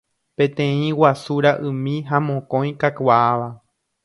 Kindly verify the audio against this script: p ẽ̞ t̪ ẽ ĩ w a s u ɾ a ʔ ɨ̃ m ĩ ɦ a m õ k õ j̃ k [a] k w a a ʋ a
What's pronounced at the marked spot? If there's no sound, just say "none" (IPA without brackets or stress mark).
a